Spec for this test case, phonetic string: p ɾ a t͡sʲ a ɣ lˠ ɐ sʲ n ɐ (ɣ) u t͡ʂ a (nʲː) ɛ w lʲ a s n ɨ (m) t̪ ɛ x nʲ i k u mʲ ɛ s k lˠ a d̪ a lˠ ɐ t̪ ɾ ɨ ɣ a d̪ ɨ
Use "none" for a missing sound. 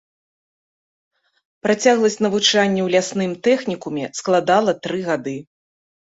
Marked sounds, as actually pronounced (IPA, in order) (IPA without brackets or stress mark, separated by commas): v, nʲː, m